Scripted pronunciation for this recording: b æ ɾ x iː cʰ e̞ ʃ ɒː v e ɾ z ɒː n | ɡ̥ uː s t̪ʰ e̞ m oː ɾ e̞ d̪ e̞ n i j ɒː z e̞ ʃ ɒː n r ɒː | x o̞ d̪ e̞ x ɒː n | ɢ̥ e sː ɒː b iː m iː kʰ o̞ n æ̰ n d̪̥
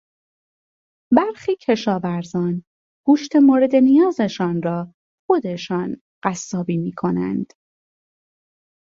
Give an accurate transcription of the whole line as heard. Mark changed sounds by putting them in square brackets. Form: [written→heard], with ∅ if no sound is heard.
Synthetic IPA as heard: b æ ɾ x iː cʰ e̞ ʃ ɒː v [e→æ] ɾ z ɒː n | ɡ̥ uː [s→ʃ] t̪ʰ e̞ m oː ɾ e̞ d̪ e̞ n i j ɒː z e̞ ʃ ɒː n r ɒː | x o̞ d̪ e̞ [x→ʃ] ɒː n | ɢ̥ [e→æ] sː ɒː b iː m iː kʰ o̞ n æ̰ n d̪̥